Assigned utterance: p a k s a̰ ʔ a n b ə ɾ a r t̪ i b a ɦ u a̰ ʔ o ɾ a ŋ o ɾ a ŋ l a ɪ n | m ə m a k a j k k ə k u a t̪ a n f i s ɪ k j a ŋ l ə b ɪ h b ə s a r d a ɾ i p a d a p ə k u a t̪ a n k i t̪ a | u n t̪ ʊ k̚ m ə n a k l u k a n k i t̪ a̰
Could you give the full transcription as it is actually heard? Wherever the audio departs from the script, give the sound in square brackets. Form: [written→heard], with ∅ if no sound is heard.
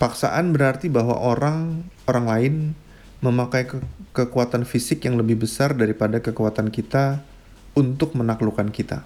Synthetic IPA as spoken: p a k s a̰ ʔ a n b ə ɾ a r t̪ i b a ɦ [u→w] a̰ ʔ o ɾ a ŋ o ɾ a ŋ l a ɪ n | m ə m a k a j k k ə k u a t̪ a n f i s ɪ k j a ŋ l ə b ɪ h b ə s a r d a ɾ i p a d a [p→k] ə k u a t̪ a n k i t̪ a | u n t̪ ʊ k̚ m ə n a k l u k a n k i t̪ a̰